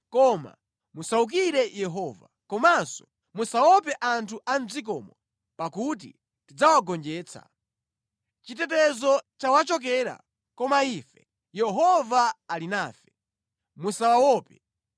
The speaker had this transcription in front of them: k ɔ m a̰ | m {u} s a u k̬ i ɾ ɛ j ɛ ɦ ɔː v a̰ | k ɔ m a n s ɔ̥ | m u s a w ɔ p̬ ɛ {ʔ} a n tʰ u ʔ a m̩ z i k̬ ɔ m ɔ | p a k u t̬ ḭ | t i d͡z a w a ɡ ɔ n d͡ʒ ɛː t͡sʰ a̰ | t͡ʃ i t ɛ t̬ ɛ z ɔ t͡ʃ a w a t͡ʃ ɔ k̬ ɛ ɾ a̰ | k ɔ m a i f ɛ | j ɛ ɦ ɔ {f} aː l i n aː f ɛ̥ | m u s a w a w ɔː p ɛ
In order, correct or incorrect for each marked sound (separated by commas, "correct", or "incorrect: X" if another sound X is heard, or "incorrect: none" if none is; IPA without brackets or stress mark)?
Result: correct, correct, incorrect: v